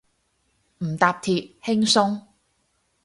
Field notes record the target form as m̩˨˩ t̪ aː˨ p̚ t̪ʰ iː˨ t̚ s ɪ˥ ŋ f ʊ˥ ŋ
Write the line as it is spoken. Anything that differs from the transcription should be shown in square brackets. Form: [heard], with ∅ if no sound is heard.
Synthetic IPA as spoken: m̩˨˩ t̪ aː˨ p̚ t̪ʰ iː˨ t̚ [h] ɪ˥ ŋ [s] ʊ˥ ŋ